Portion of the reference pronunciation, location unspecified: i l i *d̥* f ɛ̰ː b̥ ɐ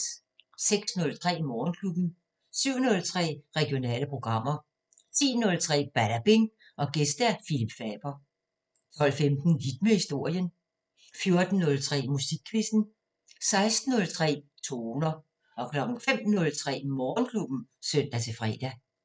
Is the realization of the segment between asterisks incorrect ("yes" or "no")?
yes